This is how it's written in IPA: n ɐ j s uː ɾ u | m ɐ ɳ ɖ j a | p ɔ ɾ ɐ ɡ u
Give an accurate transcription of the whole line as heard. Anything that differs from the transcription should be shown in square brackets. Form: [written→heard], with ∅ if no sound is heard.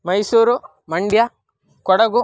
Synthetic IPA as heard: [n→m] ɐ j s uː ɾ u | m ɐ ɳ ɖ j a | [p→k] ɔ [ɾ→ɽ] ɐ ɡ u